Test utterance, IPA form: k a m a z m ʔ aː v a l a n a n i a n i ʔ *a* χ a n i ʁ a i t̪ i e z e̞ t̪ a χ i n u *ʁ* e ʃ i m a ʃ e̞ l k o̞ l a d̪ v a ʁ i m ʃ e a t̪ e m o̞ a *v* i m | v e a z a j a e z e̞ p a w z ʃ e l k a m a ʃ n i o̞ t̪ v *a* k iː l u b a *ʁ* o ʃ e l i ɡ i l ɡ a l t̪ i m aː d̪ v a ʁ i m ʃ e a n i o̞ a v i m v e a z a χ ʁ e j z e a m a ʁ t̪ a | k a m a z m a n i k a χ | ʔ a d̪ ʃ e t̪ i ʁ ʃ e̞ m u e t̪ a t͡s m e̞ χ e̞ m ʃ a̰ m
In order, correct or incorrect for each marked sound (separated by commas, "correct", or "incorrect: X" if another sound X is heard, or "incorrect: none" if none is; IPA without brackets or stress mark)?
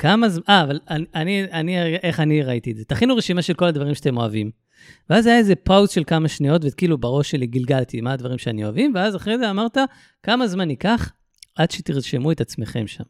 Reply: incorrect: e, correct, correct, incorrect: e, correct